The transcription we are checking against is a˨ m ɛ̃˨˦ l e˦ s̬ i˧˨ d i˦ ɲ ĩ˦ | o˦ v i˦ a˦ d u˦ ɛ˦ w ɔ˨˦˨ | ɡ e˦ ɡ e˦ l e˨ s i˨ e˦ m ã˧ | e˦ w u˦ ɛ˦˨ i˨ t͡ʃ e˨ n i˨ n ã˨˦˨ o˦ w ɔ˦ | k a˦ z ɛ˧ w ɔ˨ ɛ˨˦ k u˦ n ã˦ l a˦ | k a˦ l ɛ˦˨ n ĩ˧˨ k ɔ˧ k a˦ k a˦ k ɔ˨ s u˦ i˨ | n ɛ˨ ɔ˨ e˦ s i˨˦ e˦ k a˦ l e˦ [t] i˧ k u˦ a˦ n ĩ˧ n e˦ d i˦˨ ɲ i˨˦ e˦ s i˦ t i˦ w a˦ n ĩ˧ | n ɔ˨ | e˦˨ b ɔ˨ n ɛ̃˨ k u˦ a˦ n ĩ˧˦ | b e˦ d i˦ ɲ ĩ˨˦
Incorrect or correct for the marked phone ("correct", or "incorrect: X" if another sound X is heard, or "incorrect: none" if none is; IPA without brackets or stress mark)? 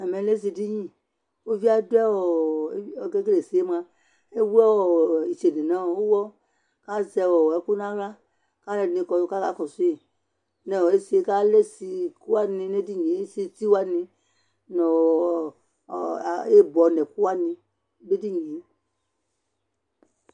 incorrect: s